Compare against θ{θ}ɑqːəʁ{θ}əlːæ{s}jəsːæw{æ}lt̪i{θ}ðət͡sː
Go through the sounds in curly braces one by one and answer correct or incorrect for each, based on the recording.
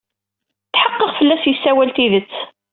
incorrect, incorrect, correct, correct, incorrect

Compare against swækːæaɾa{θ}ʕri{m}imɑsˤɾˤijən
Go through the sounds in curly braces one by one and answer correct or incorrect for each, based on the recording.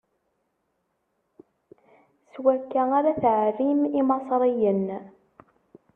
correct, correct

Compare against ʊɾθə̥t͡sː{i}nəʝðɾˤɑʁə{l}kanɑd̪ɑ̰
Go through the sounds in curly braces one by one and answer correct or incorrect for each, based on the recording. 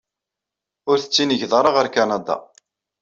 correct, incorrect

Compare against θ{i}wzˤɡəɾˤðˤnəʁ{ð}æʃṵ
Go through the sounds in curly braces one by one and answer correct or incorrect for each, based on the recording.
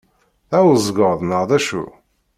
incorrect, correct

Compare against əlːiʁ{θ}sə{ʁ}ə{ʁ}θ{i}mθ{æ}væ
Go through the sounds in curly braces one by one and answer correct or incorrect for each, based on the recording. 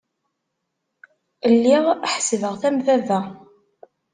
incorrect, incorrect, correct, incorrect, correct

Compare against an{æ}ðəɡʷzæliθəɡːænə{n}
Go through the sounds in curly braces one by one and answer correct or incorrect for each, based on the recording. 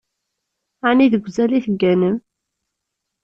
incorrect, incorrect

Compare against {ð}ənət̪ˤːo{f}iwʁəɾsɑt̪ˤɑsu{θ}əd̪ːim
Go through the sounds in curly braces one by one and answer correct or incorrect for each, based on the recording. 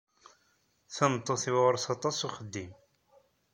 incorrect, incorrect, incorrect

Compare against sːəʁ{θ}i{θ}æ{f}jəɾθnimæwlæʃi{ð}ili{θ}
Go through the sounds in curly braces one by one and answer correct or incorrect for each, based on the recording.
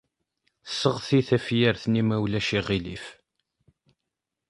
correct, correct, correct, incorrect, incorrect

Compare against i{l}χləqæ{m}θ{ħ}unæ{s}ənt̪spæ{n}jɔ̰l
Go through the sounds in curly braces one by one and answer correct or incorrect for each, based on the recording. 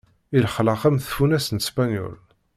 correct, correct, incorrect, correct, correct

